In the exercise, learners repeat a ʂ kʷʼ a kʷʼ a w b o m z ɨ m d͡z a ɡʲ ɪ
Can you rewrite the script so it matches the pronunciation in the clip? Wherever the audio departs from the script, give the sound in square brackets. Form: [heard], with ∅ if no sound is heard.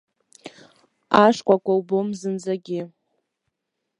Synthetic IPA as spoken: a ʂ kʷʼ a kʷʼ a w b o m z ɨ [n] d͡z a ɡʲ ɪ